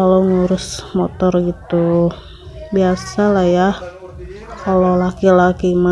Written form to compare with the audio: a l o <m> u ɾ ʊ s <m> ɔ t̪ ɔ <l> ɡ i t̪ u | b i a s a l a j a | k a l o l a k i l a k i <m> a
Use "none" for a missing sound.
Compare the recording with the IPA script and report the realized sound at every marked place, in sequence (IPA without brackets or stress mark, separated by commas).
ŋ, m, r, m